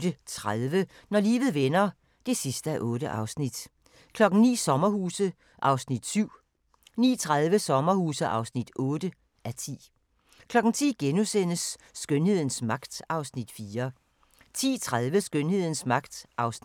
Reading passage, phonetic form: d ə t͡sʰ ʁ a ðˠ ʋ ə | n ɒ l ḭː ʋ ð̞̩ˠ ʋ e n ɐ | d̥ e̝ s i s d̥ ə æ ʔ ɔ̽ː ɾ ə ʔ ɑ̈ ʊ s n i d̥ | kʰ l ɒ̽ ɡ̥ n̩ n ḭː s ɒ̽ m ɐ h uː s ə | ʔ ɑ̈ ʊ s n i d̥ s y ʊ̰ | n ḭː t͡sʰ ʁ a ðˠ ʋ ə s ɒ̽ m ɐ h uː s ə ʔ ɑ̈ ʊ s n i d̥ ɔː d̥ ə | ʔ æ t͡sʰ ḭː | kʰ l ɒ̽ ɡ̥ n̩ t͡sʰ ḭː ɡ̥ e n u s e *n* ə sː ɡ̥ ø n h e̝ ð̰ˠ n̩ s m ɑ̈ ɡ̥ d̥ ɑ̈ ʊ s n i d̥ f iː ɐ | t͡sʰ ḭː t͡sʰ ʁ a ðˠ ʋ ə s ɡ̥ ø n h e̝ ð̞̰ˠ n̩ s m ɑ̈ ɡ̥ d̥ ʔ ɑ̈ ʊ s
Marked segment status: correct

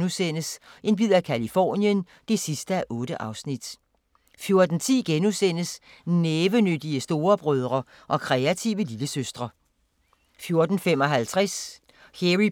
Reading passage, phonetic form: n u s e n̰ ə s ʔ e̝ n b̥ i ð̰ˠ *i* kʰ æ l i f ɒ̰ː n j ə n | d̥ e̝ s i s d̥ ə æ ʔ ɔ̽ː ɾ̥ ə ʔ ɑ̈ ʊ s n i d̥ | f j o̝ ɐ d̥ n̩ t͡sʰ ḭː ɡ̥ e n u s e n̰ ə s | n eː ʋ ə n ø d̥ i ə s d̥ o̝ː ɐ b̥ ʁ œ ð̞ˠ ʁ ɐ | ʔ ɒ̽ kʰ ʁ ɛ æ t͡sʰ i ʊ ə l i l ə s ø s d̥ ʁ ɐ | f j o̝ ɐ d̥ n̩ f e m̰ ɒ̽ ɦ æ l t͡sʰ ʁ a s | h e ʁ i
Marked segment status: incorrect: æ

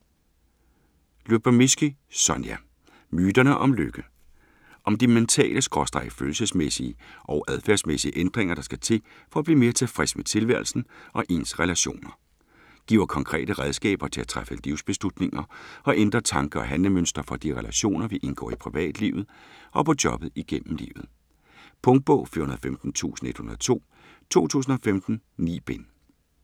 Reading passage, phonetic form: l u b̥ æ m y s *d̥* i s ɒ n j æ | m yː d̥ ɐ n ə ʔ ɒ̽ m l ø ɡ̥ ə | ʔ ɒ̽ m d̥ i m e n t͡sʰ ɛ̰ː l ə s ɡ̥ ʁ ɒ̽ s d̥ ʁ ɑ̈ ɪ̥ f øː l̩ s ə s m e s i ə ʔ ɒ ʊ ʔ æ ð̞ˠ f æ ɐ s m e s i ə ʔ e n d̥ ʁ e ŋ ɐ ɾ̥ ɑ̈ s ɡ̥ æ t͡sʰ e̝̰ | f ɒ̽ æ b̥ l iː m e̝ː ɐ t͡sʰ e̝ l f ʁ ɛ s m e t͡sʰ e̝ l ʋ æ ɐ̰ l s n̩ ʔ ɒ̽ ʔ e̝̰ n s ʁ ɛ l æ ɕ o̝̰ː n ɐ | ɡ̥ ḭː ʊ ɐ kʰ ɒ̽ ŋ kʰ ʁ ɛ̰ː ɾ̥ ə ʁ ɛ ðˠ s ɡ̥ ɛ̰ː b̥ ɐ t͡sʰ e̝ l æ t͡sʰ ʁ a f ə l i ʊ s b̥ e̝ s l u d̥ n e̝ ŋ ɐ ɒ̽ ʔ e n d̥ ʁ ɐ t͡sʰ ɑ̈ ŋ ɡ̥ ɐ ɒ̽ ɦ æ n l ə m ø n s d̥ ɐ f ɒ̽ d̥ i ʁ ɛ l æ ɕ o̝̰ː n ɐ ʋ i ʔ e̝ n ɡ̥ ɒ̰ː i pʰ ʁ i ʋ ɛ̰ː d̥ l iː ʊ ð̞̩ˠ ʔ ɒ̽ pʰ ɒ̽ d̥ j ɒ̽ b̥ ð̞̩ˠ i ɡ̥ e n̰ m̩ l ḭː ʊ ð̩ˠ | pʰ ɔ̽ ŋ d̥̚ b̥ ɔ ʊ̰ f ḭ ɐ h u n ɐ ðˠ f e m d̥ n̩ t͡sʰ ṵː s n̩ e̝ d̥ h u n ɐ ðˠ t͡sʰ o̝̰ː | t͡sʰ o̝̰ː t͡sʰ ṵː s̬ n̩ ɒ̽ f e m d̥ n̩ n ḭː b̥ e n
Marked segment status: incorrect: ɡ̥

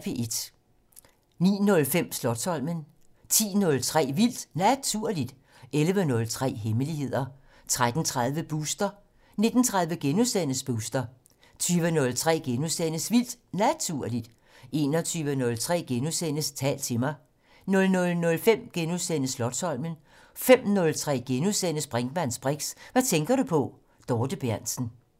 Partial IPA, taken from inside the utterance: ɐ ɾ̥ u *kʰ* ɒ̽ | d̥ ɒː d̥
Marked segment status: incorrect: pʰ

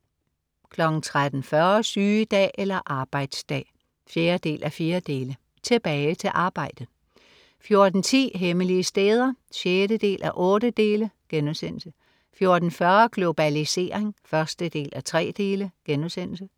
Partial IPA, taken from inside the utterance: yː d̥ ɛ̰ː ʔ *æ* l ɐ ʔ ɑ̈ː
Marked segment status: incorrect: e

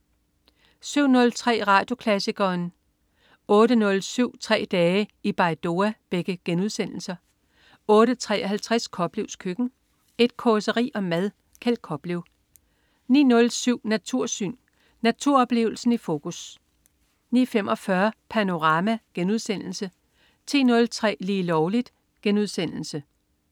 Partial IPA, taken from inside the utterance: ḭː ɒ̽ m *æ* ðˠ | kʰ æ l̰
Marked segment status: correct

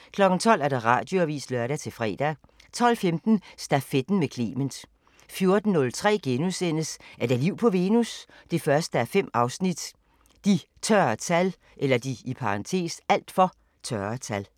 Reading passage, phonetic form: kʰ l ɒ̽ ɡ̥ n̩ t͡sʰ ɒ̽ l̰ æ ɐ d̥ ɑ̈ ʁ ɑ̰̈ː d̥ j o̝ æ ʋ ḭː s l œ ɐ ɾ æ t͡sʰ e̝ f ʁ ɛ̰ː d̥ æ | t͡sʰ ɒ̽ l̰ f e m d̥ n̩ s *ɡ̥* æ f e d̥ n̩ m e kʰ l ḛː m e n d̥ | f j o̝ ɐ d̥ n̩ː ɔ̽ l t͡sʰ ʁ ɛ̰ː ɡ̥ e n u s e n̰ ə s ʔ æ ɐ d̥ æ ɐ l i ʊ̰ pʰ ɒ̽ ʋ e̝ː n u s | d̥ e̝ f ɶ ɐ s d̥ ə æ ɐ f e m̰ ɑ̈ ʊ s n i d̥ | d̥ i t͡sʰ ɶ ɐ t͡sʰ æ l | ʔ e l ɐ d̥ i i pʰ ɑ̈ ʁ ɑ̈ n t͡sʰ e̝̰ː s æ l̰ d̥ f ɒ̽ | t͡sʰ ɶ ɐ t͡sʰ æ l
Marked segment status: incorrect: d̥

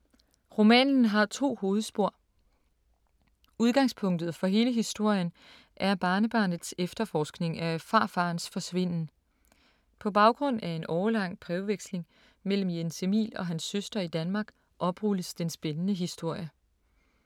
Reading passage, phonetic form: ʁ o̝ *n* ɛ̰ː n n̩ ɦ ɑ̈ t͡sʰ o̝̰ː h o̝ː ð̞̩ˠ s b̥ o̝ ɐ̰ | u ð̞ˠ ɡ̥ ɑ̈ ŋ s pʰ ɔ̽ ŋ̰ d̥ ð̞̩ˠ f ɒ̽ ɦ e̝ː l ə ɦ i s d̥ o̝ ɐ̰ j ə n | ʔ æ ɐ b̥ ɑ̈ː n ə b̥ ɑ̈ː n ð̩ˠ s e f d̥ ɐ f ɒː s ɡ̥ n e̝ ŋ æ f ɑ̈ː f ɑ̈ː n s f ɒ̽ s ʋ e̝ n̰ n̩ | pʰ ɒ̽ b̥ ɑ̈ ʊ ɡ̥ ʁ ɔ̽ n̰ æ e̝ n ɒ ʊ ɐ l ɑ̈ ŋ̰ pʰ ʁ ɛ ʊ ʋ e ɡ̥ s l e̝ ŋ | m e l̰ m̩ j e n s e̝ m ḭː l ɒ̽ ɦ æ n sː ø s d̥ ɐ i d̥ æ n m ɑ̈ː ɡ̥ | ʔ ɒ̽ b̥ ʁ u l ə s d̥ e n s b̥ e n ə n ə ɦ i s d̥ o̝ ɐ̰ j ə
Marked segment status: incorrect: m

